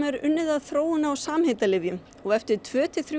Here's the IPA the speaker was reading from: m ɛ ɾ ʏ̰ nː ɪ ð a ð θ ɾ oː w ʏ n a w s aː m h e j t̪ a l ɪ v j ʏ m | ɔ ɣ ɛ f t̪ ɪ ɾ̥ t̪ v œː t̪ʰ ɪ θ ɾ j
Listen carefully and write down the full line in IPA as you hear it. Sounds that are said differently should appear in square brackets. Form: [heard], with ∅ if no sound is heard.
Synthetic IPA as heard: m ɛ ɾ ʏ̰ nː ɪ ð a ð θ ɾ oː w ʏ n a w s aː m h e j t̪ a l ɪ v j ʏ m | ɔ ɣ ɛ f t̪ ɪ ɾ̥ [t̪ʰ] v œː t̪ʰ ɪ θ ɾ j